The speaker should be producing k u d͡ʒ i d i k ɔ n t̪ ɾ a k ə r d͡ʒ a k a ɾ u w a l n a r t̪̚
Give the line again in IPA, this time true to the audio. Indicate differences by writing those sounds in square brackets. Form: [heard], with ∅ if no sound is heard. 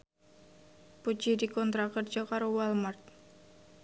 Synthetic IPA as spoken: [p] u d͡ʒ i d i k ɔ n t̪ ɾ a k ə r d͡ʒ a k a ɾ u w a l [m] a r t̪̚